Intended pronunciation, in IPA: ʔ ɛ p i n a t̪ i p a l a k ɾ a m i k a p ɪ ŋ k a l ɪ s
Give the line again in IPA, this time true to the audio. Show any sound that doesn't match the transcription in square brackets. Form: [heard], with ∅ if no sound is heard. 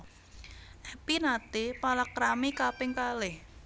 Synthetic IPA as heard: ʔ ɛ p i n a t̪ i p a l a k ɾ a m i k a p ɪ ŋ k a l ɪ [h]